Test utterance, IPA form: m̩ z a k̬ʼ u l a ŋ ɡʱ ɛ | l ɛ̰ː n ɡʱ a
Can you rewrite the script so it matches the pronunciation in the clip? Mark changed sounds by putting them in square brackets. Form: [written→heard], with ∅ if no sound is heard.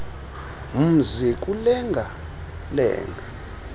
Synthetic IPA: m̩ z [a→i] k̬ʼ u l [a→ɛ] ŋ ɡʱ [ɛ→a] | l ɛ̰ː [n→ŋ] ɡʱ a